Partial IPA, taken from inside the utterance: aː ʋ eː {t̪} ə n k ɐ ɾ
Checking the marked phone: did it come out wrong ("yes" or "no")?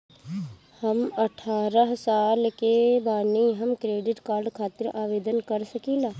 yes